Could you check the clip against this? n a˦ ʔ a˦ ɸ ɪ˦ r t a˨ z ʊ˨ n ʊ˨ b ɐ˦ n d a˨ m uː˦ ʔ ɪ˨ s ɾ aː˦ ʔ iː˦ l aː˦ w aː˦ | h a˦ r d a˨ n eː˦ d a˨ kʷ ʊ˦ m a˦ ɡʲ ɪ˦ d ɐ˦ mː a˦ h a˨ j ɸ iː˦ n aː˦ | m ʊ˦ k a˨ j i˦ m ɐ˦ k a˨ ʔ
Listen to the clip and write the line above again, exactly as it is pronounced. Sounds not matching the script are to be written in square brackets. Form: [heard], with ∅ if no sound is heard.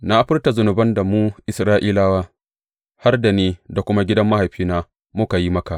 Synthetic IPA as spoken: n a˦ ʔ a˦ ɸ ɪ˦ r t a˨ z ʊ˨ n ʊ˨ b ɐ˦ n d a˨ m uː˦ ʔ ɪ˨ s ɾ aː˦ ʔ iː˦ l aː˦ w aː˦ | h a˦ r d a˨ n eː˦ d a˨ kʷ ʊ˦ m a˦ ɡʲ ɪ˦ d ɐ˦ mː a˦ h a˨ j ɸ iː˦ n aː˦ | m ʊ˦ k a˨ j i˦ m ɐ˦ k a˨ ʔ